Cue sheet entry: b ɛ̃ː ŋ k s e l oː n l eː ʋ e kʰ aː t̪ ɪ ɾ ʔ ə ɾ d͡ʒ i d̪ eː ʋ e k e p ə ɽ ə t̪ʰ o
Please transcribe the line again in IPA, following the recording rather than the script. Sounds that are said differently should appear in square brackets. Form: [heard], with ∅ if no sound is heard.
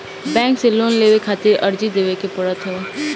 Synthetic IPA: b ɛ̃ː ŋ k s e l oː n l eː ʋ e kʰ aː t̪ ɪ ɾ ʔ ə ɾ d͡ʒ i d̪ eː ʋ e k e p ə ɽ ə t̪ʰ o

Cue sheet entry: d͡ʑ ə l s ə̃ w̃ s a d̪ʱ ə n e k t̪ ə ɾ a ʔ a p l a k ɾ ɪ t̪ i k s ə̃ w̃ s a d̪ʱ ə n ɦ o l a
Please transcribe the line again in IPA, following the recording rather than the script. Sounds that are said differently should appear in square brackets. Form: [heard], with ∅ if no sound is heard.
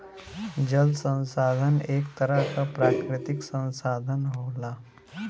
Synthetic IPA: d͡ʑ ə l s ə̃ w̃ s a d̪ʱ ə n e k t̪ ə ɾ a [k] a p [ɾ] a k ɾ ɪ t̪ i k s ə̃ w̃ s a d̪ʱ ə n ɦ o l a

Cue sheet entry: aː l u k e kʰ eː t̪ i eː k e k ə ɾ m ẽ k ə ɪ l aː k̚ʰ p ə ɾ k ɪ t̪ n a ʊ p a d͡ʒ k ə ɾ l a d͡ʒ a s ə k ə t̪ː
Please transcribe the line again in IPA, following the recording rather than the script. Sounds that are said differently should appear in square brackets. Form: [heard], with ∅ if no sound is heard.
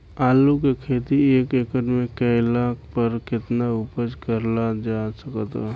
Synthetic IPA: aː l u k e kʰ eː t̪ i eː k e k ə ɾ m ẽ k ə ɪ l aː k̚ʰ p ə ɾ k ɪ t̪ n a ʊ p [ə] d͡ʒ k ə ɾ l a d͡ʒ a s ə k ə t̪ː

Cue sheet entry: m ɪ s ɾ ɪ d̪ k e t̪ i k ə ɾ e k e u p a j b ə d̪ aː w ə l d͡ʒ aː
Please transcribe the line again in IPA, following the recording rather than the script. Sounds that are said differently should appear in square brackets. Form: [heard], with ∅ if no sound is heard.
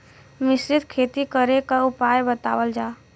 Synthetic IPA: m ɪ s ɾ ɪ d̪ [kʰ] e t̪ i k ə ɾ e k [a] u p a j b ə [t̪] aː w ə l d͡ʒ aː

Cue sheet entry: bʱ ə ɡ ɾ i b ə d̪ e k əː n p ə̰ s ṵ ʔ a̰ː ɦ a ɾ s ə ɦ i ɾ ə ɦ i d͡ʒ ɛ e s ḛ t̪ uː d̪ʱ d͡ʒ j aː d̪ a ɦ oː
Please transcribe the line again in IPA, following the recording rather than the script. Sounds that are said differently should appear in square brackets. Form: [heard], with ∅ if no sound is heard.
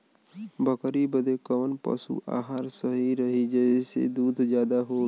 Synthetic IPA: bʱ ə [k] ɾ i b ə d̪ e k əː n p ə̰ s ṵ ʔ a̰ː ɦ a ɾ s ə ɦ i ɾ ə ɦ i d͡ʒ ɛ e s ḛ [d̪] uː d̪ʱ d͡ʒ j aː d̪ a ɦ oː

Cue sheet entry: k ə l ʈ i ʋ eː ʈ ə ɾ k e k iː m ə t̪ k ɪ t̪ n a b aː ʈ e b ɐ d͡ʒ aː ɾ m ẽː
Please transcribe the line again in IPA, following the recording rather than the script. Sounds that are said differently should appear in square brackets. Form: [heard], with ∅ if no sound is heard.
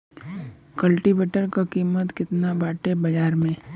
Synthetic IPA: k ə l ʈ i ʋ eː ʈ ə ɾ k [a] k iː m ə t̪ k ɪ t̪ n a b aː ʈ e b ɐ d͡ʒ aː ɾ m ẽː

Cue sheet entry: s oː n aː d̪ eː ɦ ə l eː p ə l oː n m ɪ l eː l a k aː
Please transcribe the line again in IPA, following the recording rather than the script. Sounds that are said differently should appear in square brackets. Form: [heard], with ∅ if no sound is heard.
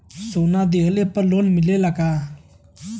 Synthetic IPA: s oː n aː d̪ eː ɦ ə l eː p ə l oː n m ɪ l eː l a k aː

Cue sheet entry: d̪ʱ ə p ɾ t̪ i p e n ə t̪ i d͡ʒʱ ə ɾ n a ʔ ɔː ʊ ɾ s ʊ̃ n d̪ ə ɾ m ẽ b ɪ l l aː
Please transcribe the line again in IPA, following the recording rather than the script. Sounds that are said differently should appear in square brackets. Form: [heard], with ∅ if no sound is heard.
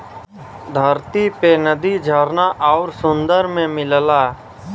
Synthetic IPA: d̪ʱ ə [∅] ɾ t̪ i p e n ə [d̪] i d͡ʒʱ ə ɾ n a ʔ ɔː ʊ ɾ s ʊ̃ n d̪ ə ɾ m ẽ [m] ɪ l l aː

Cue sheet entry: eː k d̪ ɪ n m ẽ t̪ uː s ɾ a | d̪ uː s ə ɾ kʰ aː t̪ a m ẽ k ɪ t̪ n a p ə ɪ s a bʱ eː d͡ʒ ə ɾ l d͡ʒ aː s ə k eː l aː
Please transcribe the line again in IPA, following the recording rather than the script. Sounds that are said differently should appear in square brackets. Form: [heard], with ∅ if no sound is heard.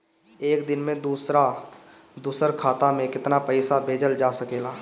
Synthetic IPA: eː k d̪ ɪ n m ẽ [d̪] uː s ɾ a | d̪ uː s ə ɾ kʰ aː t̪ a m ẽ k ɪ t̪ n a p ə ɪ s a bʱ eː d͡ʒ ə [∅] l d͡ʒ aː s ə k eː l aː

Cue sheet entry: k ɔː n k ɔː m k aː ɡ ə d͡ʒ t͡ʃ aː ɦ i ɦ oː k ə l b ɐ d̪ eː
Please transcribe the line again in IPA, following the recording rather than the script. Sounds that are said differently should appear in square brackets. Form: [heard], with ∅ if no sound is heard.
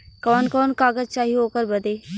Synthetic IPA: k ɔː n k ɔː [n] k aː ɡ ə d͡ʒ t͡ʃ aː ɦ i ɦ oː k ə [ɾ] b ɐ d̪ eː

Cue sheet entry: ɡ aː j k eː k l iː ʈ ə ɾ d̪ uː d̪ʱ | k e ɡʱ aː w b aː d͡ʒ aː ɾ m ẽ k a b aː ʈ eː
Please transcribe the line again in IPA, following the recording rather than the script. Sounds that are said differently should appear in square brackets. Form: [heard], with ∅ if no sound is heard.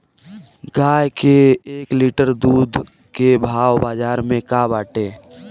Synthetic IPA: ɡ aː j k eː k l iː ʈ ə ɾ d̪ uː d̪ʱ | k e [bʱ] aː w b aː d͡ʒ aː ɾ m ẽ k a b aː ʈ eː

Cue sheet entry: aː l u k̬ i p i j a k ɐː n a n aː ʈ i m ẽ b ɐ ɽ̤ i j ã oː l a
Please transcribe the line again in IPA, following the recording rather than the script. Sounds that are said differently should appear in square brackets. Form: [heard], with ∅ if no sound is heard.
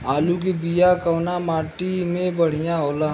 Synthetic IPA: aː l u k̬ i [b] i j a k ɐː n a [m] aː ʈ i m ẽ b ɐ ɽ̤ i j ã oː l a

